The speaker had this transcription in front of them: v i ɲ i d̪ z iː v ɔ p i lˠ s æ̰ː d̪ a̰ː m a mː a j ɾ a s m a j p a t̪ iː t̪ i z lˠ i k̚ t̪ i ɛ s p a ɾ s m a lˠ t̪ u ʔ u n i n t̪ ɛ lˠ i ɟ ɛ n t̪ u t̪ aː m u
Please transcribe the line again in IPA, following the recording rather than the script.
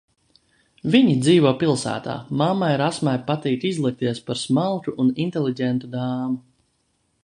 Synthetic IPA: v i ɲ i d̪ z iː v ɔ p i lˠ s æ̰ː t̪ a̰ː m a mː a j ɾ a s m a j p a t̪ iː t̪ i z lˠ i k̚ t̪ i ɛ s p a ɾ s m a lˠ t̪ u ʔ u n i n t̪ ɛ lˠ i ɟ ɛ n t̪ u d̪ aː m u